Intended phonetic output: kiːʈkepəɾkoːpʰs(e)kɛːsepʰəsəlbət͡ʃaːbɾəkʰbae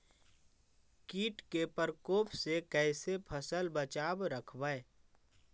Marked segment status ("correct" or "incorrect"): correct